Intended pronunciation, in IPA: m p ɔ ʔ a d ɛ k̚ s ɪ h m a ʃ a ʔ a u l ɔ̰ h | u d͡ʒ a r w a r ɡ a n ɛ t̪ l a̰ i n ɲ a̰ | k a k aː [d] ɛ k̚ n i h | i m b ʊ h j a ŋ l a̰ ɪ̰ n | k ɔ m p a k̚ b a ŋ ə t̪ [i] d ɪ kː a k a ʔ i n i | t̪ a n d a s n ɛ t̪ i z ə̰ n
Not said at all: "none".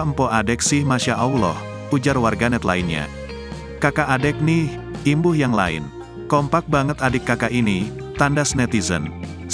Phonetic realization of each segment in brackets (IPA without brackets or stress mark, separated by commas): d, a